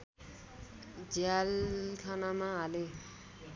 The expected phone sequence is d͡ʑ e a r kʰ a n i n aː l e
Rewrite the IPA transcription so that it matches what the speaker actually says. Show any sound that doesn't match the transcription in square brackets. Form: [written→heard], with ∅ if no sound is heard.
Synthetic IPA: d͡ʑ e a [r→l] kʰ a n [i→a] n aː l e